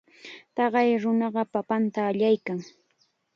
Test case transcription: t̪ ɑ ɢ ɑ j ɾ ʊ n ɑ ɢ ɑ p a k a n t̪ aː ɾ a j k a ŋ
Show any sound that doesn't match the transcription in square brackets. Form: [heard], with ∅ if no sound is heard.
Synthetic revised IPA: t̪ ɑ ɢ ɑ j ɾ ʊ n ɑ ɢ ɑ p a [p] a n t̪ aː [ʎ] a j k a ŋ